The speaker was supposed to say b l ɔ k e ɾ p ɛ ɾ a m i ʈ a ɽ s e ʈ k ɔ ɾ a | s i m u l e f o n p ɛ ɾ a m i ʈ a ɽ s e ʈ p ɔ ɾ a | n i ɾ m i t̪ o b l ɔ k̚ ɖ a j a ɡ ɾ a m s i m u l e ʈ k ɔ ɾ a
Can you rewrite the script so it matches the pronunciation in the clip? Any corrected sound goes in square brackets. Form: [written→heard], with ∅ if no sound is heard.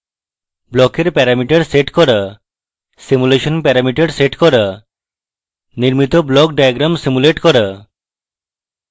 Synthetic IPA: b l ɔ k e ɾ p ɛ ɾ a m i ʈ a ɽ s e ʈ k ɔ ɾ a | s i m u l e [f→ʃ] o n p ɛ ɾ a m i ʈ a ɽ s e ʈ [p→k] ɔ ɾ a | n i ɾ m i t̪ o b l ɔ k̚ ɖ a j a ɡ ɾ a m s i m u l e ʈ k ɔ ɾ a

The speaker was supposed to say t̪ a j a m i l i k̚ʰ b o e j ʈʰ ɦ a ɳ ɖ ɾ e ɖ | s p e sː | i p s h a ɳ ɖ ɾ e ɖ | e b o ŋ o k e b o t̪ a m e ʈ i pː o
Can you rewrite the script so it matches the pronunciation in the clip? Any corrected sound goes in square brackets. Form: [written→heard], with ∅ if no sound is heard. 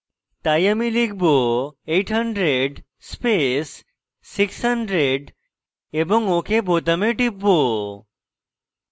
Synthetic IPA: t̪ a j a m i l i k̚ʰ b o e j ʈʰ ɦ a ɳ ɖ ɾ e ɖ | s p e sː | i [p→k] s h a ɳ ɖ ɾ e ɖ | e b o ŋ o k e b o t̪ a m e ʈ i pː o

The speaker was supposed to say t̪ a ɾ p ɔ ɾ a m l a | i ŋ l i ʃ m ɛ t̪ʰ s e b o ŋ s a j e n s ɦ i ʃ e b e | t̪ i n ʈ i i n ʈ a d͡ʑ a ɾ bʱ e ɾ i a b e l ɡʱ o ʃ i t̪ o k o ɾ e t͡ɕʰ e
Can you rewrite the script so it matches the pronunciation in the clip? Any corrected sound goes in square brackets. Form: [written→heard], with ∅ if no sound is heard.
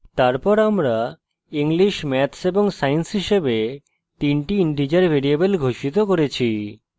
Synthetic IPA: t̪ a ɾ p ɔ ɾ a m [l→ɾ] a | i ŋ l i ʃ m ɛ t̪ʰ s e b o ŋ s a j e n s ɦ i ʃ e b e | t̪ i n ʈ i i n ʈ [a→i] d͡ʑ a ɾ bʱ e ɾ i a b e l ɡʱ o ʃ i t̪ o k o ɾ e t͡ɕʰ [e→i]

